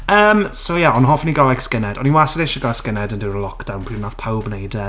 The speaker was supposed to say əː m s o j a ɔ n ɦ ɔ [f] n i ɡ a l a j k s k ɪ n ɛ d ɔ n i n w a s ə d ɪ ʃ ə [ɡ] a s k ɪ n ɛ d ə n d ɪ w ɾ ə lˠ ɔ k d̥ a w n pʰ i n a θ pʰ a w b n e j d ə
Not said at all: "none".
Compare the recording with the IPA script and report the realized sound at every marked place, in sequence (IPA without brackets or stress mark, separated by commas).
f, ɡ